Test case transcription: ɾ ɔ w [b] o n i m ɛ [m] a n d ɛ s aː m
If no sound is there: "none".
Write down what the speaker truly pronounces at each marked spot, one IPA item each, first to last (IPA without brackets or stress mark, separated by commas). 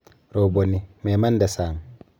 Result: b, m